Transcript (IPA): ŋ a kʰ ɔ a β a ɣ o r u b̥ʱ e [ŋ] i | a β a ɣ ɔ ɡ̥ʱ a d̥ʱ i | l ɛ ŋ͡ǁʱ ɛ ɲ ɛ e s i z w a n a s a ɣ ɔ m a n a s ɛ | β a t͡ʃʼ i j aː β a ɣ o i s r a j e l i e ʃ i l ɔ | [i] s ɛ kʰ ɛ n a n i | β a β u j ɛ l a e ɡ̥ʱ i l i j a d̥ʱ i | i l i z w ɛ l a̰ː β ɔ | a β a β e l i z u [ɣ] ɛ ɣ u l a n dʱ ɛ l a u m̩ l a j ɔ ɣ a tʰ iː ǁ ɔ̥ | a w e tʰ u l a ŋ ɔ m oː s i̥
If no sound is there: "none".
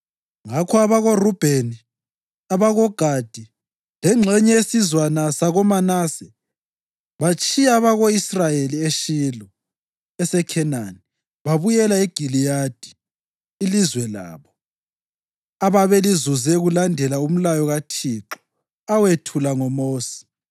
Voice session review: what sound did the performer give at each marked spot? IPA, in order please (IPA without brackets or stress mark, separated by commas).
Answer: n, ɛ, z